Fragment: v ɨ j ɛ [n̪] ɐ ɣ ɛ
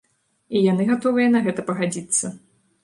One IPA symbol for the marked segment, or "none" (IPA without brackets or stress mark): n̪